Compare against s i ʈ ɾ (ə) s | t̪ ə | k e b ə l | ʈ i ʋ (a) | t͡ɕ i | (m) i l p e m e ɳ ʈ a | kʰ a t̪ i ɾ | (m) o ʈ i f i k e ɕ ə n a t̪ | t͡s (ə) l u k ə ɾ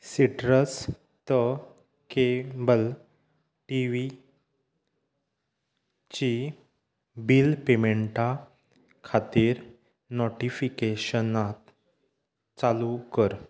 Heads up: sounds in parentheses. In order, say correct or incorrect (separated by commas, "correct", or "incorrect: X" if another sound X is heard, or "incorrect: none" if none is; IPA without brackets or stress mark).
correct, incorrect: i, incorrect: b, incorrect: n, incorrect: a